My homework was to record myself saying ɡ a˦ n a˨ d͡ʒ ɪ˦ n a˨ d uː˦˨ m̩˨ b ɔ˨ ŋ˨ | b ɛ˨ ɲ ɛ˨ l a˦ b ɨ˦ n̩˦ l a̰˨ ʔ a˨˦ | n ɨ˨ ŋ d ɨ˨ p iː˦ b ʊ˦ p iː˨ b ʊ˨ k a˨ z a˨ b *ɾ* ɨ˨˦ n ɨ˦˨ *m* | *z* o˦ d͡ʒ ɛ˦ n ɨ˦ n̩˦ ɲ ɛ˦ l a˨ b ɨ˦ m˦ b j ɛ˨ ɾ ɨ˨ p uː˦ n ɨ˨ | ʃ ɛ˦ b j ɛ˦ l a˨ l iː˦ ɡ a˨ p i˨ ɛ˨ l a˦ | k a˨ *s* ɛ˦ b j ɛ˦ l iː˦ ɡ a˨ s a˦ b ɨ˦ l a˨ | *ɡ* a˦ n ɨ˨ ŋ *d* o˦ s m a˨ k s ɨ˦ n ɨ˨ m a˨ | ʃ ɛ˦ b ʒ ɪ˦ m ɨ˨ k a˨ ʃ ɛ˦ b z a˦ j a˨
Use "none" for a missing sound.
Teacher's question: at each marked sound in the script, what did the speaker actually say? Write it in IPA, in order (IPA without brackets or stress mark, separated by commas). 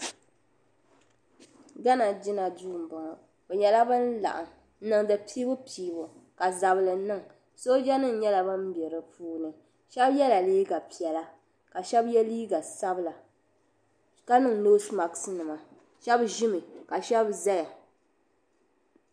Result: l, ŋ, s, ʃ, k, n